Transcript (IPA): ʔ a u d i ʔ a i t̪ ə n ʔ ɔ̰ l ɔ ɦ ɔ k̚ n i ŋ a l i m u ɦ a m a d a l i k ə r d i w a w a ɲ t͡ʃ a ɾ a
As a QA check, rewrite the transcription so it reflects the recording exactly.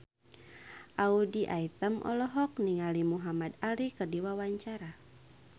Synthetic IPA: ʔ a u d i ʔ a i t̪ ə m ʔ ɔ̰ l ɔ ɦ ɔ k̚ n i ŋ a l i m u ɦ a m a d a l i k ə r d i w a w a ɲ t͡ʃ a ɾ a